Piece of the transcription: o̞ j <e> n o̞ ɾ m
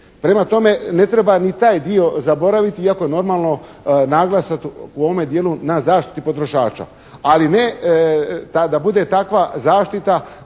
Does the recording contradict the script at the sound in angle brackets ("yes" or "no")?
no